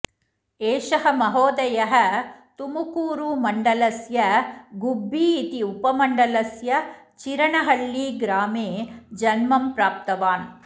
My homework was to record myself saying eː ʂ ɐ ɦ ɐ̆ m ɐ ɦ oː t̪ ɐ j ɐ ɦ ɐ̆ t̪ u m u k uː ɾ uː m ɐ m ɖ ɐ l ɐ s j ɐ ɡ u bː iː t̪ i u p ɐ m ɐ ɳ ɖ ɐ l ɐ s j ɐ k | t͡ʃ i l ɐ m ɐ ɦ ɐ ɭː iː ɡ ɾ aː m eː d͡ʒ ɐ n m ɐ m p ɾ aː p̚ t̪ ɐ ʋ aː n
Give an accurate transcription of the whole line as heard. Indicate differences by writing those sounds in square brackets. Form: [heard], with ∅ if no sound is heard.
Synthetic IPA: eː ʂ ɐ ɦ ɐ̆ m ɐ ɦ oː [d̪] ɐ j ɐ ɦ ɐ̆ t̪ u m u k uː ɾ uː m ɐ [ɳ] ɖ ɐ l ɐ s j ɐ ɡ u bː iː t̪ i u p ɐ m ɐ ɳ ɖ ɐ l ɐ s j ɐ [∅] | t͡ʃ i [ɾ] ɐ [ɳ] ɐ ɦ ɐ ɭː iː ɡ ɾ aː m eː d͡ʒ ɐ n m ɐ m p ɾ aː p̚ t̪ ɐ ʋ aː n